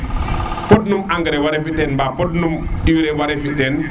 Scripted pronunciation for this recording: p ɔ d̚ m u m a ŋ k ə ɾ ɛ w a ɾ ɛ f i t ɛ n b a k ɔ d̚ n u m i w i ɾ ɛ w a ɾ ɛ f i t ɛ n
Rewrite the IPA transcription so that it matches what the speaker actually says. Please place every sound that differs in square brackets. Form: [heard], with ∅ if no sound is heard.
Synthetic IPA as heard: p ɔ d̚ [n] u m a ŋ [ɡ] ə ɾ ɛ w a ɾ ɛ f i t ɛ n b a [p] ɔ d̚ n u m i w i ɾ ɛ w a ɾ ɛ f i t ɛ n